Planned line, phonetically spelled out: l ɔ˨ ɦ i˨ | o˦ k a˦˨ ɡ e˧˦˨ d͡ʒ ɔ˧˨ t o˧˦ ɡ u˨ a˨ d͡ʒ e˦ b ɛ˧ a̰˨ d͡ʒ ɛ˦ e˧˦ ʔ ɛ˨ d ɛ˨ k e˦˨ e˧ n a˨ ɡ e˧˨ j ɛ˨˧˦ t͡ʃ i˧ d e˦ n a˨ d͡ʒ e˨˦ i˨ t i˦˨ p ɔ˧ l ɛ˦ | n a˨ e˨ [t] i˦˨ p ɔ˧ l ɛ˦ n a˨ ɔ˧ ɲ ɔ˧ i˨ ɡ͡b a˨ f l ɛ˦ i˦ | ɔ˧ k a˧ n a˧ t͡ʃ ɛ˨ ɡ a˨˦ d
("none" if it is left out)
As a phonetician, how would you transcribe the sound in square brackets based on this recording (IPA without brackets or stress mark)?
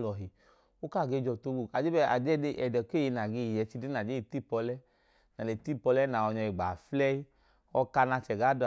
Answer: t